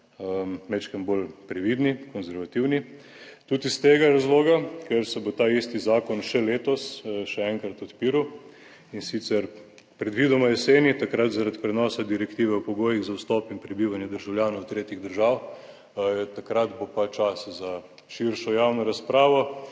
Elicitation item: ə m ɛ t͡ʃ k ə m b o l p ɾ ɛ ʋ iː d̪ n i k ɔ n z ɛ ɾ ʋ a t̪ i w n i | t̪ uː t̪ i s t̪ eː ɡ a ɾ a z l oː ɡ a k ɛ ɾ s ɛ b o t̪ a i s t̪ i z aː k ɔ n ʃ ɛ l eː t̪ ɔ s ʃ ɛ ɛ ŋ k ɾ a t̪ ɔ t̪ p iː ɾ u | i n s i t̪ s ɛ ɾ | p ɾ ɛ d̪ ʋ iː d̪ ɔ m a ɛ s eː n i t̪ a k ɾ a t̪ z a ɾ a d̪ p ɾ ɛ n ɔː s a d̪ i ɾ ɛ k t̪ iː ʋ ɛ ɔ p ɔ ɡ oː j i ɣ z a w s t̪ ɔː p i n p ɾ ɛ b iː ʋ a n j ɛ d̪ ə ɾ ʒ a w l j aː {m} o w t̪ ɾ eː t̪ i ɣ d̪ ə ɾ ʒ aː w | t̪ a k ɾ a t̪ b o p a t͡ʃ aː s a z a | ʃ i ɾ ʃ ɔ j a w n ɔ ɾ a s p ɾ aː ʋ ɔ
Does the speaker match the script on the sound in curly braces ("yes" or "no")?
no